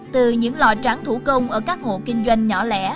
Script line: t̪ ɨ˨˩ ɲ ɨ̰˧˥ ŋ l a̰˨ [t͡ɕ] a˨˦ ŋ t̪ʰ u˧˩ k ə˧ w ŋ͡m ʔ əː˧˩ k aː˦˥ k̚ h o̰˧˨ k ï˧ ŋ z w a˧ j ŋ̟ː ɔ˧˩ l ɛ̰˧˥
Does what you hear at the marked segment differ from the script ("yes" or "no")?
no